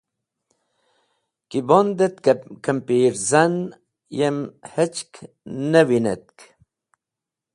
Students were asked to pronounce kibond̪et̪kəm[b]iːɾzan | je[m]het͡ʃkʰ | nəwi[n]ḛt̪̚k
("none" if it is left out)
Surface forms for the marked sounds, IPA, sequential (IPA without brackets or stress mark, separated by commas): p, m, n